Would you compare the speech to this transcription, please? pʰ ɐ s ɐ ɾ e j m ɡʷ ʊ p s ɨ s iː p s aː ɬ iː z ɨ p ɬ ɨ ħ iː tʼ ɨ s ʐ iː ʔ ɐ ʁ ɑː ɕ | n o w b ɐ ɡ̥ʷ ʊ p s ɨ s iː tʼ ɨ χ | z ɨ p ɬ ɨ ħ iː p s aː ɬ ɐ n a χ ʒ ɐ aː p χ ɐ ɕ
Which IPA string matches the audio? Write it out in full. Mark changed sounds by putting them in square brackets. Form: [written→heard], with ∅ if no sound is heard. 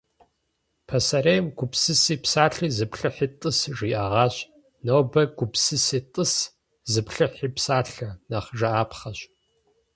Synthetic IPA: pʰ ɐ s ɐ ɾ e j m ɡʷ ʊ p s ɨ s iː p s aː ɬ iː z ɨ p ɬ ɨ ħ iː tʼ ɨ s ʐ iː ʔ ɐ ʁ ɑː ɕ | n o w b ɐ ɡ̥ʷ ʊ p s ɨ s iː tʼ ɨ [χ→s] | z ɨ p ɬ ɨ ħ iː p s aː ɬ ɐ n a χ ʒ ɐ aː p χ ɐ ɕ